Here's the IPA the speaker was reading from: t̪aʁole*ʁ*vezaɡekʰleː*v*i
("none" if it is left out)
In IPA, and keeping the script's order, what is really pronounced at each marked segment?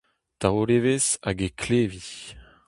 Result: none, v

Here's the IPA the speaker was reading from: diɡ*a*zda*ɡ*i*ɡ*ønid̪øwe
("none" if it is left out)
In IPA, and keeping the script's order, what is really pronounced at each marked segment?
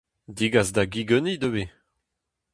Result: a, ɡ, ɡ

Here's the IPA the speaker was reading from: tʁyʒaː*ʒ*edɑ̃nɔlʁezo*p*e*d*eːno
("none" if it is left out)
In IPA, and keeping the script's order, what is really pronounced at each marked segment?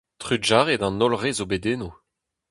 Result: ʁ, b, d

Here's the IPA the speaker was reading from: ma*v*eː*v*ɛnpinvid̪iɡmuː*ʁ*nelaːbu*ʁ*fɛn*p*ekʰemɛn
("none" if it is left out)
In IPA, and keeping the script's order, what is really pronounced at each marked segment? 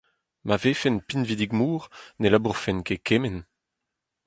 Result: v, f, ʁ, ʁ, k

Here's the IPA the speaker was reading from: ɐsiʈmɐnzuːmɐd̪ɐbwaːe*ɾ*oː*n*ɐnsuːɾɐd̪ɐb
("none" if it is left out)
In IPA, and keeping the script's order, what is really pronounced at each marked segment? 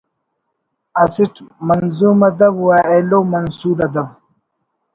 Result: l, m

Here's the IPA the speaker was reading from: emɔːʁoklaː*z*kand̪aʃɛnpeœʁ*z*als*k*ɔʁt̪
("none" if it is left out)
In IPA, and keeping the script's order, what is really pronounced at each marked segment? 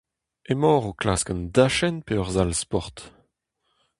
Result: s, z, p

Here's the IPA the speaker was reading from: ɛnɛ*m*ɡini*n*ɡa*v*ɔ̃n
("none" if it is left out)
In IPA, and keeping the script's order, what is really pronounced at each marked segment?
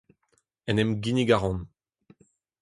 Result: m, none, ʁ

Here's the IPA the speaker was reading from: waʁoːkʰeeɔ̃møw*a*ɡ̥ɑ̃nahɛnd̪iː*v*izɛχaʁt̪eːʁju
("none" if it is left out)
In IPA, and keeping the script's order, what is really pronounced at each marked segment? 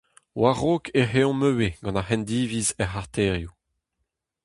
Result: e, v

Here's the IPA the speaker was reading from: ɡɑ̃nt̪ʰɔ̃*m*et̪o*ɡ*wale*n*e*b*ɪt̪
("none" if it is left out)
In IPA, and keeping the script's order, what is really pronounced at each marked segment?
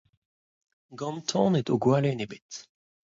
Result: n, ɡ, n, b

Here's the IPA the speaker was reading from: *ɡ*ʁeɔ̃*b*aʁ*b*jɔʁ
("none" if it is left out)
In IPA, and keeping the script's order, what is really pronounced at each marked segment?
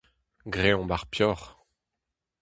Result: ɡ, b, p

